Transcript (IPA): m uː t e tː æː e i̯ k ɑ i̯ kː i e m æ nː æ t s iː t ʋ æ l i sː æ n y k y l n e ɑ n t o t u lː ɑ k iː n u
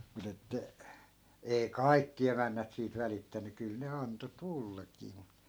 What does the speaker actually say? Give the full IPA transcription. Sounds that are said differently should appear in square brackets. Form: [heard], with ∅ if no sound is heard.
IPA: m [u] t e tː [æ] e i̯ k ɑ i̯ kː i e m æ nː æ t s iː t ʋ æ l i [tː] æ n y k y l n e ɑ n t o t u lː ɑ k iː [m] u